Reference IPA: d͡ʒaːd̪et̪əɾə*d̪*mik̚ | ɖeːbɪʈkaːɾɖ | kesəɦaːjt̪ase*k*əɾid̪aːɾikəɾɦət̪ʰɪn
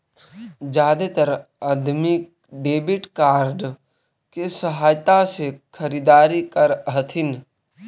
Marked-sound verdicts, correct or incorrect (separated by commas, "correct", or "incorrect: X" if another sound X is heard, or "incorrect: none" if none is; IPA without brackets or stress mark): correct, incorrect: kʰ